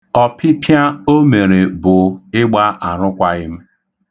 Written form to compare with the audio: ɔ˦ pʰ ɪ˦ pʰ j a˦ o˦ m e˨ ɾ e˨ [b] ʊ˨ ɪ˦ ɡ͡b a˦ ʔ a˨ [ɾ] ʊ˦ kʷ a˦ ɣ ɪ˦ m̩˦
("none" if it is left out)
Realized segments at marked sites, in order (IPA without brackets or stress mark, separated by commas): b, ɾ